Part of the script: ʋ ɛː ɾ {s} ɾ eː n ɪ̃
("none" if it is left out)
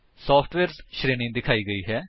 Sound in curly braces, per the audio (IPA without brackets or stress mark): ʃ